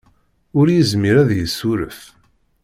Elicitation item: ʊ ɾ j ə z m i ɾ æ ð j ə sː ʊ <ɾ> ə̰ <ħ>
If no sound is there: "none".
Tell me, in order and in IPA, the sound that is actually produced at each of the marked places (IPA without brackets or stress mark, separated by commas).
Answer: ɾ, f